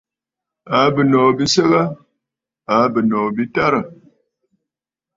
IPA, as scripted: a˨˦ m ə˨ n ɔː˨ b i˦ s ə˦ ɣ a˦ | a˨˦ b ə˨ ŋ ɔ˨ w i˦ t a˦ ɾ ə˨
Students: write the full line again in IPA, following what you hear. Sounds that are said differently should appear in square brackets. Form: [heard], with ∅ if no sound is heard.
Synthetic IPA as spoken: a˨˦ [b] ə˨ n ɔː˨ b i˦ s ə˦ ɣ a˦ | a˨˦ b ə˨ [n] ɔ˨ [b] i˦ t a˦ ɾ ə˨